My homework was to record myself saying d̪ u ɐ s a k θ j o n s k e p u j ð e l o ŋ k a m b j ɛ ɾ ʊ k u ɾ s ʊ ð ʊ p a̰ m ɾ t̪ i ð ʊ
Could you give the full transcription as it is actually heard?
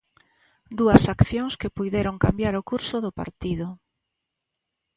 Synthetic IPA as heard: d̪ u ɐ s a k θ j o ŋ s k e p u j ð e ɾ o ŋ k a m b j a ɾ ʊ k u ɾ s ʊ ð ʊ p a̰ ɾ t̪ i ð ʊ